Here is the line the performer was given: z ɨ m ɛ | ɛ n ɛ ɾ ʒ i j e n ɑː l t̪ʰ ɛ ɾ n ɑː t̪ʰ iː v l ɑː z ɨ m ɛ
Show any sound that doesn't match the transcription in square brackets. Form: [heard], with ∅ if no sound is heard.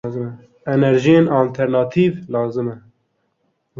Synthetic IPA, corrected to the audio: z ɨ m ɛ | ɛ n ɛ ɾ ʒ i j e n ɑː l t̪ʰ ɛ ɾ n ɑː t̪ʰ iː v l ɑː z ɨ m ɛ